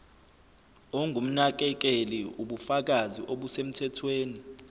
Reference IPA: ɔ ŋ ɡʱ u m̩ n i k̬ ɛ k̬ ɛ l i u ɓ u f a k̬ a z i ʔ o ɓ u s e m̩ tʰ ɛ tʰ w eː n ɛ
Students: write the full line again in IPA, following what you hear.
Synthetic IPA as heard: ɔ ŋ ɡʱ u m̩ n a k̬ ɛ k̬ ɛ l i u ɓ u f a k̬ a z i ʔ o ɓ u s e m̩ tʰ ɛ tʰ w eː n i